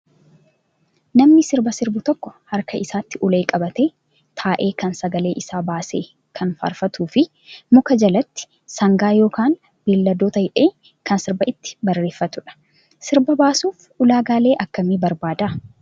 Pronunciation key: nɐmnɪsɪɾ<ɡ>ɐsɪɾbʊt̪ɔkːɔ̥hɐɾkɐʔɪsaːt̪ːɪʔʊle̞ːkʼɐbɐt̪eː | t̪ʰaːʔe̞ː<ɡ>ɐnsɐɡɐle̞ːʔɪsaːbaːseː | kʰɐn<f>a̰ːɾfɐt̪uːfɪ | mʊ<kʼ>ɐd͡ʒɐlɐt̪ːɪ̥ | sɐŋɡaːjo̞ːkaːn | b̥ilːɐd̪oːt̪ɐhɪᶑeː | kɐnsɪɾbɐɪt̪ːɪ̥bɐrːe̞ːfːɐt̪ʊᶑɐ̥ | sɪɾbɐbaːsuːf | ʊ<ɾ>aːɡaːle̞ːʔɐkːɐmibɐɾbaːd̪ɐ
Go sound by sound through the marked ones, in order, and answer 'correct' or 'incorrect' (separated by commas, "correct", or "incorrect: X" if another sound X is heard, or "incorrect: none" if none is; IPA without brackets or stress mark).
incorrect: b, incorrect: k, correct, incorrect: k, incorrect: l